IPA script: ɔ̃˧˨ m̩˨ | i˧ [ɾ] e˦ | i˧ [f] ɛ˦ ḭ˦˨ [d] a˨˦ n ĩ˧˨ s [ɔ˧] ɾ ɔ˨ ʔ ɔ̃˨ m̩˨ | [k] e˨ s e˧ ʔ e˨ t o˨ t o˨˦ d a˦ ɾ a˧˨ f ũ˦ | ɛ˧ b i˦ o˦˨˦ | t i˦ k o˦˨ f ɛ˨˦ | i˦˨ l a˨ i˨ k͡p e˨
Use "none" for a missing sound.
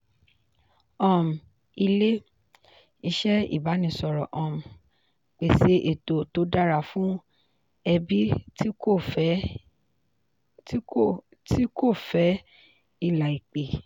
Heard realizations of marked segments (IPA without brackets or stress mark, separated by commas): l, ʃ, b, ɔ˧, k͡p